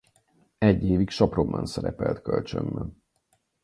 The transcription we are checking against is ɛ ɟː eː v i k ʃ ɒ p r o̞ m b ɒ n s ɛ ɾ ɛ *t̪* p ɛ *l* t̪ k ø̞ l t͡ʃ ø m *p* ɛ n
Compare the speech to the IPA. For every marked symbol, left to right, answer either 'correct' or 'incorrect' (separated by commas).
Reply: incorrect, correct, incorrect